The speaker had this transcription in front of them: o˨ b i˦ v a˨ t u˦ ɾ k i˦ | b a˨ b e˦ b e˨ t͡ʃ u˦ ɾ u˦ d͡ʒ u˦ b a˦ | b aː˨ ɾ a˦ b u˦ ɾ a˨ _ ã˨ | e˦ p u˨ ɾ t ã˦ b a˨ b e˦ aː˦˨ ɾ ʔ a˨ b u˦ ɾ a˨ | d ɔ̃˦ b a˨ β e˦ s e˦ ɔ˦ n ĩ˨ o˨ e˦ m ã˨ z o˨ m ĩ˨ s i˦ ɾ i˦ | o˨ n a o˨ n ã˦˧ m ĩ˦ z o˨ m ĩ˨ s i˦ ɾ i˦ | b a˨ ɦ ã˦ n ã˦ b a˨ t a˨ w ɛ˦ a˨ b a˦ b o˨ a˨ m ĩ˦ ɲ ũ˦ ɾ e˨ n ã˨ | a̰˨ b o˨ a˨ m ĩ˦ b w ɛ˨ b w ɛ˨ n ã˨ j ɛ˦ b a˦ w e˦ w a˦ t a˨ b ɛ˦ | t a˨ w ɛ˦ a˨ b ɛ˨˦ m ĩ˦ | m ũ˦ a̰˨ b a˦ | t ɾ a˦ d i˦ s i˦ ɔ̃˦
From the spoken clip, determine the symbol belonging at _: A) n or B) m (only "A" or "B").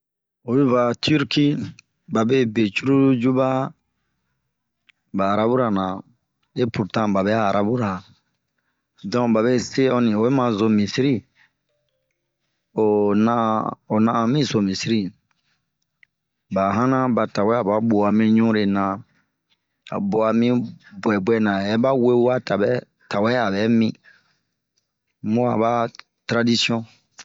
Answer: A